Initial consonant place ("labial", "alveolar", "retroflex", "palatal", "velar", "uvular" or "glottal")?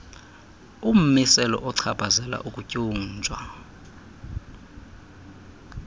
labial